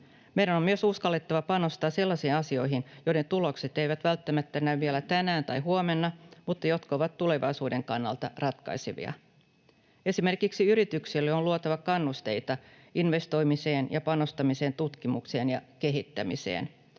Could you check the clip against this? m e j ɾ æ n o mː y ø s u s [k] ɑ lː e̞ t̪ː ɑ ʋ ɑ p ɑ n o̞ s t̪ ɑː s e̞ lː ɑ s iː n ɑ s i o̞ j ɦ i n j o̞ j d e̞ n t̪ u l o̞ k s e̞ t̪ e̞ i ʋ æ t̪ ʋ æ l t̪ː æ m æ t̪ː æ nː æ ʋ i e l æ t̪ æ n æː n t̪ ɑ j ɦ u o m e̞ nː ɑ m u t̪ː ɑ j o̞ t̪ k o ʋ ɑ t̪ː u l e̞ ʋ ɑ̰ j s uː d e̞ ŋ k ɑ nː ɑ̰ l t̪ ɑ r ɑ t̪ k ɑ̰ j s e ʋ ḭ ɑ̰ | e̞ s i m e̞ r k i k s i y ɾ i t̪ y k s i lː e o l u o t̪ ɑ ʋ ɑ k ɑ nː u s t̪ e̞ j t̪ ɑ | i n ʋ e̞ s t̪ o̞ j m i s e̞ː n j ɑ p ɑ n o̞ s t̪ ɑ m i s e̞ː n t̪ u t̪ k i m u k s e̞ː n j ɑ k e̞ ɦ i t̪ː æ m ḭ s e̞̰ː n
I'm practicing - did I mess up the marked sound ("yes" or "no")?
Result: no